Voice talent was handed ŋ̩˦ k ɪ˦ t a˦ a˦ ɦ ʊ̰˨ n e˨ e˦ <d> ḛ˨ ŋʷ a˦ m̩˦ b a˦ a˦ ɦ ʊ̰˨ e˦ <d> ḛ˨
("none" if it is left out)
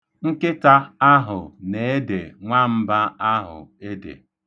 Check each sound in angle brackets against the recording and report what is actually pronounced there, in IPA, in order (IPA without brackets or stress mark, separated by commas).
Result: d, d